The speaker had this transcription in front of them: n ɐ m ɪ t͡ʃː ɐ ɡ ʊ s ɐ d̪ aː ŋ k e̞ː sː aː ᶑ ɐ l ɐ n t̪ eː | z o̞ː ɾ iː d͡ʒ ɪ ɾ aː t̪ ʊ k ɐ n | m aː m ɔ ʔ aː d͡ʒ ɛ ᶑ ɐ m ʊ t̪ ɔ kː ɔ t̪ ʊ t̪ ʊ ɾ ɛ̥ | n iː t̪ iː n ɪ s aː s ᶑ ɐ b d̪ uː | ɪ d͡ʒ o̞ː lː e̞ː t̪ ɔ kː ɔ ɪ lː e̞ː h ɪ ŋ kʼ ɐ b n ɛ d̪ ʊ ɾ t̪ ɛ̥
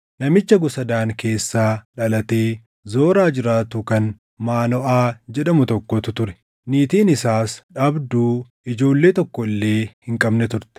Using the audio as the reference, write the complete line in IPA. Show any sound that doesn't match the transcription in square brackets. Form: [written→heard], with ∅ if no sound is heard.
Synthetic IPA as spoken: n ɐ m ɪ t͡ʃː ɐ ɡ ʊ s ɐ d̪ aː ŋ k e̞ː sː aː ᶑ ɐ l ɐ [n→∅] t̪ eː | z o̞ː ɾ [iː→aː] d͡ʒ ɪ ɾ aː t̪ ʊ k ɐ n | m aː [m→n] ɔ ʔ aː d͡ʒ ɛ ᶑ ɐ m ʊ t̪ ɔ kː ɔ t̪ ʊ t̪ ʊ ɾ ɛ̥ | n iː t̪ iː n ɪ s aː s ᶑ ɐ b d̪ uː | ɪ d͡ʒ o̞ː lː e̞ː t̪ ɔ kː ɔ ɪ lː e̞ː h ɪ ŋ kʼ ɐ b n ɛ [d̪→t̪] ʊ ɾ t̪ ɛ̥